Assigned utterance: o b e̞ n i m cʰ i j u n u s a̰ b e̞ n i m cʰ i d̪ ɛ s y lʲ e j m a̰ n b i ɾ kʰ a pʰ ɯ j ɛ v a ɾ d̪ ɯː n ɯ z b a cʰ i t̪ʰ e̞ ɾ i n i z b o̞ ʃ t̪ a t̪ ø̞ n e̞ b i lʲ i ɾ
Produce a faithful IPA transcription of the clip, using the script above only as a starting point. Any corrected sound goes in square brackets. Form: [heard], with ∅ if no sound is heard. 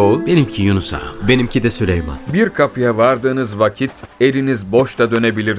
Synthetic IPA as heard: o b e̞ n i m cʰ i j u n u s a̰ b e̞ n i m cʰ i d̪ ɛ s y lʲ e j m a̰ n b i ɾ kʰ a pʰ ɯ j [a] v a ɾ d̪ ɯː n ɯ z [v] a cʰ i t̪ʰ e̞ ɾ i n i z b o̞ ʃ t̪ a [d̪] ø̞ n e̞ b i lʲ i ɾ